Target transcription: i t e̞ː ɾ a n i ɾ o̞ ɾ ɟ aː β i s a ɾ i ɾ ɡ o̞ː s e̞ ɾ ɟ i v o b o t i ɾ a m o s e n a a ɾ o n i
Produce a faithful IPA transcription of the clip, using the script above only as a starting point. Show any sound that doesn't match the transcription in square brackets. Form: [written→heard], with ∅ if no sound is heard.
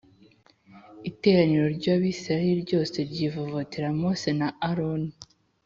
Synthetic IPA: i t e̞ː ɾ a n i ɾ o̞ ɾ ɟ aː β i s a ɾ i ɾ [ɡ→ɟ] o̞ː s e̞ ɾ ɟ i v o [b→v] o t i ɾ a m o s e n a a ɾ o n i